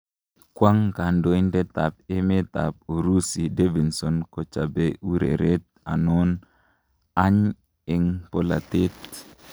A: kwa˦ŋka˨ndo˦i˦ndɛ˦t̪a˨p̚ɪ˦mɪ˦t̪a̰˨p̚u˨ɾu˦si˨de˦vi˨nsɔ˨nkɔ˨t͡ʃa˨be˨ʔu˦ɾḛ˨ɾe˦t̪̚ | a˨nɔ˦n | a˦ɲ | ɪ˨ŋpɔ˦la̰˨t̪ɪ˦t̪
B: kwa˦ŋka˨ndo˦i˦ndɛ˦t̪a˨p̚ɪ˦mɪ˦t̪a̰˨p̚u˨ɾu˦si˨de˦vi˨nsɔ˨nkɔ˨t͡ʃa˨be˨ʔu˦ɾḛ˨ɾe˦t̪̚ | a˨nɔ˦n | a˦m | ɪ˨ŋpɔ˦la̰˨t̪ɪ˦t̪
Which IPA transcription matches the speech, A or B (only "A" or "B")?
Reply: A